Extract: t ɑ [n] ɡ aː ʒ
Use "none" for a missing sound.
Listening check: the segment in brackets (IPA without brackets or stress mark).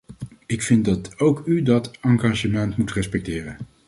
ŋ